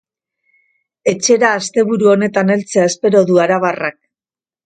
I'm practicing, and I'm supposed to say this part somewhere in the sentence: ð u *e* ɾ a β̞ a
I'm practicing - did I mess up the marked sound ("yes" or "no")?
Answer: yes